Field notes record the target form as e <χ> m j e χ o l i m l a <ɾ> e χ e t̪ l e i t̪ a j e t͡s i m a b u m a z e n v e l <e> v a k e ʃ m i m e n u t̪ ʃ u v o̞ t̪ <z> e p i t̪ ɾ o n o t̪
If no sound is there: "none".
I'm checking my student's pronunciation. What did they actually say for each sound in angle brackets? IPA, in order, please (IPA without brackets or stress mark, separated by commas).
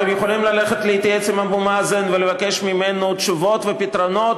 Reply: none, l, e, v